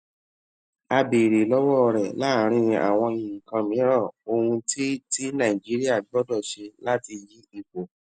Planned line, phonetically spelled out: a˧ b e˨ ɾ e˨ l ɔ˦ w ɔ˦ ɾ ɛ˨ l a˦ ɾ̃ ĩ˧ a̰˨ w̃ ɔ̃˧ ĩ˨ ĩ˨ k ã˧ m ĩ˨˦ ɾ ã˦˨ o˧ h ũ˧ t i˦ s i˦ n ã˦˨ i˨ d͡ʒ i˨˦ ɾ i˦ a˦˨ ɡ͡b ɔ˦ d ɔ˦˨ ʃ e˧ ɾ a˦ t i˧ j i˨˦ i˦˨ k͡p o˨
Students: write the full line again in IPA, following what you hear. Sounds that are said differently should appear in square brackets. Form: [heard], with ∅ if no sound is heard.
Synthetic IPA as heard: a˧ b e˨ ɾ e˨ l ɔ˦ w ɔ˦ ɾ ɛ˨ l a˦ ɾ̃ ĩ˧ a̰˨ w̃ ɔ̃˧ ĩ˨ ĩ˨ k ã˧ m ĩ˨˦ ɾ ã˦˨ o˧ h ũ˧ t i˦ [t] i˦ n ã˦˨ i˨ d͡ʒ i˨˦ ɾ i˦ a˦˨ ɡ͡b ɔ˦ d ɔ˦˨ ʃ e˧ [l] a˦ t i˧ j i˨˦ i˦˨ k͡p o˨